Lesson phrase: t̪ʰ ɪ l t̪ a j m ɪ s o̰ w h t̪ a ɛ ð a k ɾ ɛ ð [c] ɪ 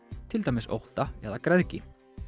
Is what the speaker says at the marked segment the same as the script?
yes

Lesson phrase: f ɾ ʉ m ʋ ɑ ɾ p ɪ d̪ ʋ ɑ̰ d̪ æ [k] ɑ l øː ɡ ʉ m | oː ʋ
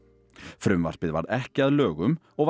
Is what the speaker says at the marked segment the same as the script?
yes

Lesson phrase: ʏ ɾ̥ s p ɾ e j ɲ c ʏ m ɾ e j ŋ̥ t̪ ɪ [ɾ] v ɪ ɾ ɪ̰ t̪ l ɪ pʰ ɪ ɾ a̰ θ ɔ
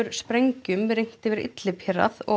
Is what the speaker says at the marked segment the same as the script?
no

